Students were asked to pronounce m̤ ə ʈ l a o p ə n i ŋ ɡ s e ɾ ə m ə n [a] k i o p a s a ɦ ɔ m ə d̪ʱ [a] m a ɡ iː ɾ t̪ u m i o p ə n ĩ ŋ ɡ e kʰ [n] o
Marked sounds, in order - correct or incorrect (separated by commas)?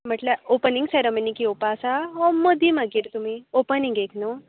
incorrect, incorrect, correct